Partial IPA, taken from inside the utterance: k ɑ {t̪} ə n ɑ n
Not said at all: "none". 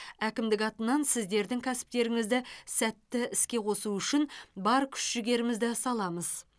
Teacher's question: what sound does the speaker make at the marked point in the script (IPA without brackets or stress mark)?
t̪